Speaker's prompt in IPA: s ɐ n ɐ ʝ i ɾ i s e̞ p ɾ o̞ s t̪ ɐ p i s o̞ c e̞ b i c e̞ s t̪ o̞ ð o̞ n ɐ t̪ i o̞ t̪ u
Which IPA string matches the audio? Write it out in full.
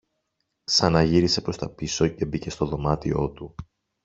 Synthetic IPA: s ɐ n ɐ ʝ i ɾ i s e̞ p ɾ o̞ s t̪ ɐ p i s o̞ c e̞ b i c e̞ s t̪ o̞ ð o̞ m ɐ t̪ i o̞ t̪ u

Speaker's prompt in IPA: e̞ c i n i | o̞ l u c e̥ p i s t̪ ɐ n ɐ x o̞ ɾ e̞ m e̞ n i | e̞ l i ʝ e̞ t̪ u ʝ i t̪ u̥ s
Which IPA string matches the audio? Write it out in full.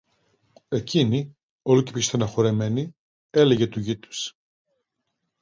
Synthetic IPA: e̞ c i n i | o̞ l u c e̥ p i s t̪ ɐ n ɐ x o̞ ɾ e̞ m e̞ n i | e̞ l e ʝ e̞ t̪ u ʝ i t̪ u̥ s

